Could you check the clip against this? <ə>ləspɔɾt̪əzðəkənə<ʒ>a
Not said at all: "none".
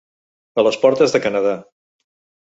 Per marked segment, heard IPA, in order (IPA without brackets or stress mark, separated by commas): ə, ð